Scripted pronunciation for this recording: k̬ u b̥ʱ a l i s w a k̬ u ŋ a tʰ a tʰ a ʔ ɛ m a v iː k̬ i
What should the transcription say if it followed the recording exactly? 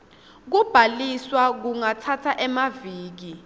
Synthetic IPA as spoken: k̬ u b̥ʱ a l i s w a k̬ u ŋ a tʰ a tʰ a ʔ ɛ m a v iː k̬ i